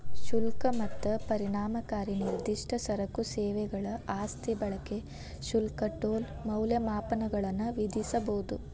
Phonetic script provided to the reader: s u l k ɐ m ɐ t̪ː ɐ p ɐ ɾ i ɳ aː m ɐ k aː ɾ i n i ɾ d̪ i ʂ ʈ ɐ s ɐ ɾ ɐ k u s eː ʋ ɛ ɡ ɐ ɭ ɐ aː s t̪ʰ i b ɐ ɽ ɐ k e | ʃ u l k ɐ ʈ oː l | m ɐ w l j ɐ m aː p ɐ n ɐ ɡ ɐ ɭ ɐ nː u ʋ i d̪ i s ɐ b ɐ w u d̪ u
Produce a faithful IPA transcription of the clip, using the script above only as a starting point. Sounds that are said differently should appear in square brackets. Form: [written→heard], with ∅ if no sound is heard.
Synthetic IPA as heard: [s→ʃ] u l k ɐ m ɐ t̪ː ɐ p ɐ ɾ i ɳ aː m ɐ k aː ɾ i n i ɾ d̪ i ʂ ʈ ɐ s ɐ ɾ ɐ k u s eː ʋ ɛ ɡ ɐ ɭ ɐ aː s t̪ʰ i b ɐ [ɽ→ɭ] ɐ k e | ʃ u l k ɐ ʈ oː l | m ɐ w l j ɐ m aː p ɐ n ɐ ɡ ɐ ɭ ɐ nː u ʋ i d̪ i s ɐ b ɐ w u d̪ u